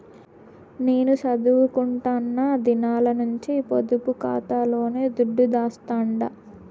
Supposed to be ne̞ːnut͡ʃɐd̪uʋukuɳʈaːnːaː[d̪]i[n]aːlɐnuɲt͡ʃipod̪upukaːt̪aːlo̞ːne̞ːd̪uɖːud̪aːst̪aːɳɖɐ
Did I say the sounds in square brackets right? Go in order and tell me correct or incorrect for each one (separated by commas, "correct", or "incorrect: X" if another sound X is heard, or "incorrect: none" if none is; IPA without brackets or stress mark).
correct, correct